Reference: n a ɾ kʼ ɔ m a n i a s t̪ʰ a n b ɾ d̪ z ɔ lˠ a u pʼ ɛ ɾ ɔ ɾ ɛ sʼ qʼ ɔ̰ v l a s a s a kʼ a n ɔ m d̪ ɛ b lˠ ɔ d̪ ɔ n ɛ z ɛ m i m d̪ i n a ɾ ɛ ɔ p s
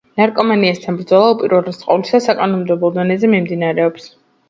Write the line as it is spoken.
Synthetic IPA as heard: n a ɾ kʼ ɔ m a n i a s t̪ʰ a n b ɾ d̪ z ɔ lˠ a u pʼ i ɾ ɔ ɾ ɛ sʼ qʼ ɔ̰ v l i s a s a kʼ a n ɔ m d̪ ɛ b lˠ ɔ d̪ ɔ n ɛ z ɛ m i m d̪ i n a ɾ ɛ ɔ p s